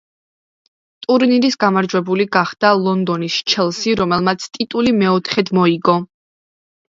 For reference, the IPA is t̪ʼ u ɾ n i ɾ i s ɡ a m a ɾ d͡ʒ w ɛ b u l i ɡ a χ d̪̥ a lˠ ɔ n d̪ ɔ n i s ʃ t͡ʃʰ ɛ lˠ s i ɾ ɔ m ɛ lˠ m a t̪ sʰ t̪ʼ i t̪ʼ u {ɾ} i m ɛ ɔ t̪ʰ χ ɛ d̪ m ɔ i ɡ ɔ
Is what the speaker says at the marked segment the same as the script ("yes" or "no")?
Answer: no